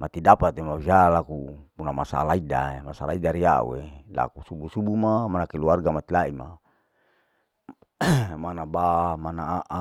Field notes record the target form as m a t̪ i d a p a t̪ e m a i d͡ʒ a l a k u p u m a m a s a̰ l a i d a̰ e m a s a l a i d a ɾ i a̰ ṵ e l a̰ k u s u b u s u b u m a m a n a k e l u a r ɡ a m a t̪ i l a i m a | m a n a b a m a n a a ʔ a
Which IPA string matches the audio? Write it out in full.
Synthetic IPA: m a t̪ i d a p a t̪ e m a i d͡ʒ a l a k u p u n a m a s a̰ l a i d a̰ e m a s a l a i d a ɾ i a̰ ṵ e l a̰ k u s u b u s u b u m a m a n a k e l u a r ɡ a m a t̪ i l a i m a | m a n a b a m a n a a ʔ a